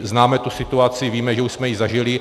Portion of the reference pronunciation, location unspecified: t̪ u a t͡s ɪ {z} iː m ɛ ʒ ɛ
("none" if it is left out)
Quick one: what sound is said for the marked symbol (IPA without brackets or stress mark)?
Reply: v